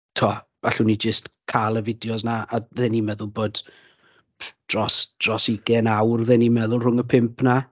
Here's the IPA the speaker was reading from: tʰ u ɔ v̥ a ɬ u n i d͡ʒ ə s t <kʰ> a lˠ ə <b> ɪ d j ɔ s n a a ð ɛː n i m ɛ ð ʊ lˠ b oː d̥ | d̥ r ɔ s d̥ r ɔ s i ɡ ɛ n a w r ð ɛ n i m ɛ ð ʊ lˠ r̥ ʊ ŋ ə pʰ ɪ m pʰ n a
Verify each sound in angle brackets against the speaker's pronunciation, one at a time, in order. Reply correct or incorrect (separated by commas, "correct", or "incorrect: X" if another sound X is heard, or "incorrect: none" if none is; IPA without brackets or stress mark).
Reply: correct, incorrect: v